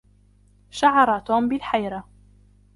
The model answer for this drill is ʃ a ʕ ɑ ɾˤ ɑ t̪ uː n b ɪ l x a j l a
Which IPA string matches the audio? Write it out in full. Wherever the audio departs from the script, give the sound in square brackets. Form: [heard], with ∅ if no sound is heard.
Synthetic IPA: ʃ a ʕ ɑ ɾˤ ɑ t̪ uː [m] b ɪ l [ħ] a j [ɾ] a